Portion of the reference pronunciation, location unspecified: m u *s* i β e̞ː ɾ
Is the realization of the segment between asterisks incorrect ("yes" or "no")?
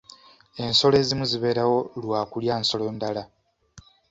yes